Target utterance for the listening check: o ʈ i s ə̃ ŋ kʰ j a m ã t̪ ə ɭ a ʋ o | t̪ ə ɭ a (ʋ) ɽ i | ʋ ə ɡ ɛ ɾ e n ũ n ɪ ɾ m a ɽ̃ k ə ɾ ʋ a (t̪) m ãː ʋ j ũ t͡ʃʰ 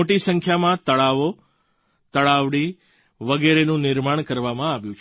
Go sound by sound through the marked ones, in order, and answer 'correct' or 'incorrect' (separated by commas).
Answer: correct, incorrect